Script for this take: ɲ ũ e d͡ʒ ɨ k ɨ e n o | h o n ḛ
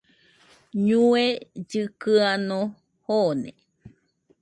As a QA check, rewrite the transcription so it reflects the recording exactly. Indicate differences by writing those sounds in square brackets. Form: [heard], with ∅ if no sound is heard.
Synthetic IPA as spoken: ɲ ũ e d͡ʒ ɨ k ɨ [a] n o | h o n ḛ